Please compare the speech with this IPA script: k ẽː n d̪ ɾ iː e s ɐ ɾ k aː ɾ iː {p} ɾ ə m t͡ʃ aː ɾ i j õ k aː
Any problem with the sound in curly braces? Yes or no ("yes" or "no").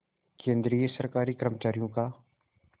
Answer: yes